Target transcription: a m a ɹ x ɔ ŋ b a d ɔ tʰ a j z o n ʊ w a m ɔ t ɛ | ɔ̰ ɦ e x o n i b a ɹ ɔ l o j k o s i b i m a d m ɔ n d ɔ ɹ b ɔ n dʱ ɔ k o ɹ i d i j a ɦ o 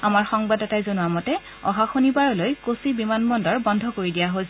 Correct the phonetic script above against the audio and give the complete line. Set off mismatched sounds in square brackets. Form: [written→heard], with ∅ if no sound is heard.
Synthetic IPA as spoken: a m a ɹ x ɔ ŋ b a d ɔ [tʰ→t] a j z o n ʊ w a m ɔ t ɛ | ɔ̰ ɦ [e→a] x o n i b a ɹ ɔ l o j k o s i b i m a [d→n] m ɔ n d ɔ ɹ b ɔ n dʱ ɔ k o ɹ i d i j a ɦ o

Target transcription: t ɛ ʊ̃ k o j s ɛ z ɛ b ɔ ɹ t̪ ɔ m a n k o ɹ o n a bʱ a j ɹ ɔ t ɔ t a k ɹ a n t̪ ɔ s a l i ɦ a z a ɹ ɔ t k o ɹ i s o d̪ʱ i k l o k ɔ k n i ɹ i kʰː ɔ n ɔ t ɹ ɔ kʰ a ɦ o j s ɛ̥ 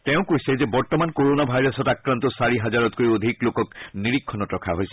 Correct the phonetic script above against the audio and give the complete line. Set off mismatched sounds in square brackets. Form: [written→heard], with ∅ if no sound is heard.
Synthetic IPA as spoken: t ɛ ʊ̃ k o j s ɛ z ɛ b ɔ ɹ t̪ ɔ m a n k o ɹ o n a bʱ a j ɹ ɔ [t→s] ɔ t a k ɹ a n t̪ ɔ s a [l→ɹ] i ɦ a z a ɹ ɔ t k o ɹ i [s→∅] o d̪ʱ i k l o k ɔ k n i ɹ i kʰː ɔ n ɔ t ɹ ɔ kʰ a ɦ o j s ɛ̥

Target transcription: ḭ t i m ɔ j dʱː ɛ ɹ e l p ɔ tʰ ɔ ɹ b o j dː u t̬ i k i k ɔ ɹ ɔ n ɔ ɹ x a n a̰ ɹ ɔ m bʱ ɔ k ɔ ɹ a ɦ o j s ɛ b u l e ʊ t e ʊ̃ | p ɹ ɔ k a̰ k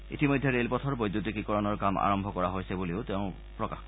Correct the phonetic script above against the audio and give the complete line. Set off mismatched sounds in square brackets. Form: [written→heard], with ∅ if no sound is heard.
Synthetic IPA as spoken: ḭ t i m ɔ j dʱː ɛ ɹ e l p ɔ tʰ ɔ ɹ b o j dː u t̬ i k i k ɔ ɹ ɔ n ɔ ɹ [x→k] a [n→m] a̰ ɹ ɔ m bʱ ɔ k ɔ ɹ a ɦ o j s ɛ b u l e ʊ t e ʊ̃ | p ɹ ɔ k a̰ [k→x]

